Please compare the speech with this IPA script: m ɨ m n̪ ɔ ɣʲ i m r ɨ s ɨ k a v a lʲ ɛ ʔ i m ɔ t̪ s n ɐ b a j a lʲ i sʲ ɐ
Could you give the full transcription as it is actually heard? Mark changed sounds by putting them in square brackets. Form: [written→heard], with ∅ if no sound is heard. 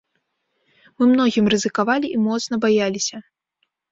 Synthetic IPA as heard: m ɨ m n̪ ɔ ɣʲ i m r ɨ [s→z] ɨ k a v a lʲ [ɛ→i] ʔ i m ɔ t̪ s n ɐ b a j a lʲ i sʲ ɐ